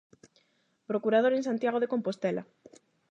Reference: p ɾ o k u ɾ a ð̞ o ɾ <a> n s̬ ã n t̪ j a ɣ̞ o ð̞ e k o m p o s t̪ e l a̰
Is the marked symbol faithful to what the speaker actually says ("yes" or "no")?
no